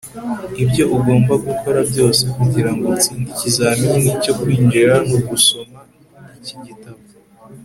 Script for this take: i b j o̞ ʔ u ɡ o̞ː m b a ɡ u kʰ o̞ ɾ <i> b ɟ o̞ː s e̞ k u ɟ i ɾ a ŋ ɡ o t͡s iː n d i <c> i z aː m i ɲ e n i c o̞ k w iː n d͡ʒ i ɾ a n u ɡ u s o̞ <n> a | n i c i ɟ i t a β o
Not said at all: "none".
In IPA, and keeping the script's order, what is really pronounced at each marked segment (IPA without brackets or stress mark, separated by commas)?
a, c, m